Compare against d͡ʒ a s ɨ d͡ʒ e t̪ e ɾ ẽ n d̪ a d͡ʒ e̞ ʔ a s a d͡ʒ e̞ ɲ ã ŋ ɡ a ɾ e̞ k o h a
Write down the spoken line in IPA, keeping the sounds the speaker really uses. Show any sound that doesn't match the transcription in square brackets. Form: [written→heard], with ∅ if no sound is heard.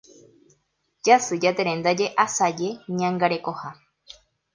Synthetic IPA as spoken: d͡ʒ a s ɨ d͡ʒ [e→a] t̪ e ɾ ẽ n d̪ a d͡ʒ e̞ ʔ a s a d͡ʒ e̞ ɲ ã ŋ ɡ a ɾ e̞ k o h a